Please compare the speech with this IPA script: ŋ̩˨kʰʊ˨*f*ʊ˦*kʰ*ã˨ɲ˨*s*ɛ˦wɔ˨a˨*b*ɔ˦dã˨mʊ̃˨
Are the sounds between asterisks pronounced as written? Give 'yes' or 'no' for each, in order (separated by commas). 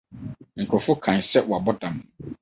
yes, yes, yes, yes